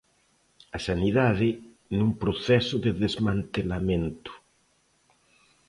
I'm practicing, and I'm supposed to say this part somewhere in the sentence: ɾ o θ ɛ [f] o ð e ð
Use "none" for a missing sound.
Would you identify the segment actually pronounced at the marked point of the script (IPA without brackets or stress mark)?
s